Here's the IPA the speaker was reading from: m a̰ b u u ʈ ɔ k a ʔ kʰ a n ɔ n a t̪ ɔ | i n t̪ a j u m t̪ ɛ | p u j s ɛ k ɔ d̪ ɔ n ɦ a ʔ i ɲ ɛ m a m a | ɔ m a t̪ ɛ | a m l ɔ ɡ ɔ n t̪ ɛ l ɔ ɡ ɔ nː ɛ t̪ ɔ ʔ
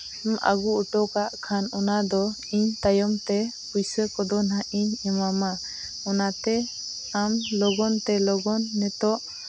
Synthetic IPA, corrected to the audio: m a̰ ɡ u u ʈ ɔ k a ʔ kʰ a n ɔ n a d̪ ɔ | i ɲ t̪ a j ɔ m t̪ ɛ | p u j s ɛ k ɔ d̪ ɔ n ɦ a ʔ i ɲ ɛ m a m a | ɔ n a t̪ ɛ | a m l ɔ ɡ ɔ n t̪ ɛ l ɔ ɡ ɔ nː ɛ t̪ ɔ ʔ

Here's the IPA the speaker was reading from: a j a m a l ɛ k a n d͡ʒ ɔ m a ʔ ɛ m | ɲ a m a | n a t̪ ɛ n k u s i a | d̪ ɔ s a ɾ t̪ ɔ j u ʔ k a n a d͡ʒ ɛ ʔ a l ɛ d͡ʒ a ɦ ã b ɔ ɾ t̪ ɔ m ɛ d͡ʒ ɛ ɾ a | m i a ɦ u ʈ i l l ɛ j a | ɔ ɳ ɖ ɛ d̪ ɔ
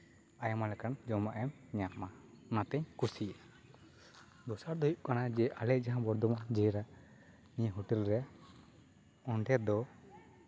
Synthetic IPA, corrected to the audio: a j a m a l ɛ k a n d͡ʒ ɔ m a ʔ ɛ m | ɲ a m a | n a t̪ ɛ ɲ k u s i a | d̪ ɔ s a ɾ d̪ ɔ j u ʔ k a n a d͡ʒ ɛ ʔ a l ɛ d͡ʒ a ɦ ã b ɔ ɾ d̪ ɔ m a d͡ʒ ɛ ɾ a | n i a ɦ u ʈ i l ɾ ɛ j a | ɔ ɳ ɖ ɛ d̪ ɔ

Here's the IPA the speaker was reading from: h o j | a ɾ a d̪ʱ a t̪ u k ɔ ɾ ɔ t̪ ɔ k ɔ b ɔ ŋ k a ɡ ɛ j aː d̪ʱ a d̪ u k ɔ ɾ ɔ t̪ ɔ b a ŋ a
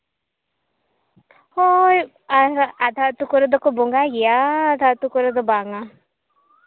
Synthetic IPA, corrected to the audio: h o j | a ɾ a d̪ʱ a t̪ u k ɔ ɾ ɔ d̪ ɔ k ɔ b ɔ ŋ ɡ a ɡ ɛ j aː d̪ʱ a t̪ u k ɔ ɾ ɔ d̪ ɔ b a ŋ a

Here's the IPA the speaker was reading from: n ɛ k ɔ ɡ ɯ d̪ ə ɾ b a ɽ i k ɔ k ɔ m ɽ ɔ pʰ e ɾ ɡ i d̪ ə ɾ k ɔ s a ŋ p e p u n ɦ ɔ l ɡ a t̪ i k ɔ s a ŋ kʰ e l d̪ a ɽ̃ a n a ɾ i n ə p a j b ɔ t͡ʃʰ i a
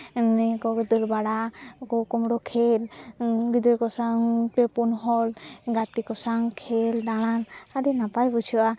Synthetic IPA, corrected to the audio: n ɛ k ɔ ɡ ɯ d̪ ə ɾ b a ɽ a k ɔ k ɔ m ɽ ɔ kʰ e l ɡ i d̪ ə ɾ k ɔ s a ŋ p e p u n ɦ ɔ l ɡ a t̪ i k ɔ s a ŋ kʰ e l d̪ a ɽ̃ a n a ɾ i n a p a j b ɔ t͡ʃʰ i a

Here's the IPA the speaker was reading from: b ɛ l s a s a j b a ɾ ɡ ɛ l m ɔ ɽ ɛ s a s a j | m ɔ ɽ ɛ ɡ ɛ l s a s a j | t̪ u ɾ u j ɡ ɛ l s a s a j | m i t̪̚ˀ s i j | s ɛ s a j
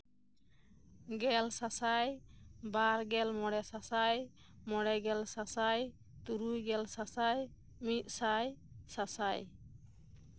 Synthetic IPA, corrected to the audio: ɡ ɛ l s a s a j b a ɾ ɡ ɛ l m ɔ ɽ ɛ s a s a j | m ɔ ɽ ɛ ɡ ɛ l s a s a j | t̪ u ɾ u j ɡ ɛ l s a s a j | m i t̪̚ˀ s a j | s a s a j

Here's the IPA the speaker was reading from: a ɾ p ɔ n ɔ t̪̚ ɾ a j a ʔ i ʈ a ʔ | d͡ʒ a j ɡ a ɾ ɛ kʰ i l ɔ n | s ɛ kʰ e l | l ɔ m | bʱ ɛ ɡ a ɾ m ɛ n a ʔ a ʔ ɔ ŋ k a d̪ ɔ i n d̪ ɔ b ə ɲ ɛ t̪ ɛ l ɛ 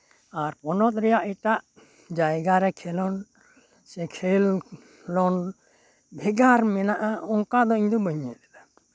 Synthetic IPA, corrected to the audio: a ɾ p ɔ n ɔ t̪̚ ɾ ɛ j a ʔ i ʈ a ʔ | d͡ʒ a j ɡ a ɾ ɛ kʰ ɛ l ɔ n | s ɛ kʰ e l | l ɔ n | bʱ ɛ ɡ a ɾ m ɛ n a ʔ a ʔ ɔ ŋ k a d̪ ɔ i ɲ d̪ ɔ b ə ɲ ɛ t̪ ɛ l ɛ

